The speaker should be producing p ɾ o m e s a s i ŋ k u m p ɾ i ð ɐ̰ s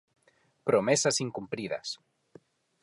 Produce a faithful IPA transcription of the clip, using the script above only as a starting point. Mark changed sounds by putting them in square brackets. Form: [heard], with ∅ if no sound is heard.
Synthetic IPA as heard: p ɾ o m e s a s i ŋ k u m p ɾ i ð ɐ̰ s